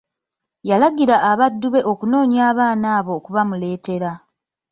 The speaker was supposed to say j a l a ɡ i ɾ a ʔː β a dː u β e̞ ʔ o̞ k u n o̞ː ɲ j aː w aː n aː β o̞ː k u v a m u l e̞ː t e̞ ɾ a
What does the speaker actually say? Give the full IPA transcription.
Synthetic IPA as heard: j a l a ɡ i ɾ a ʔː β a dː u β e̞ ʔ o̞ k u n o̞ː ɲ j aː β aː n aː β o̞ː k u β a m u l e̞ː t e̞ ɾ a